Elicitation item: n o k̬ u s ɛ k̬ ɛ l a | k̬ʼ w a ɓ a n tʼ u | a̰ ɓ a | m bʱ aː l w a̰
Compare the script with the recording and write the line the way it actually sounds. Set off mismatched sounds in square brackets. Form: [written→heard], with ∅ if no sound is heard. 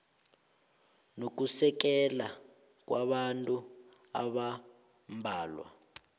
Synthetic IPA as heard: n o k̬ u s ɛ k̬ ɛ l a | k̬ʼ w a ɓ a n tʼ u | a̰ ɓ a | m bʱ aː l w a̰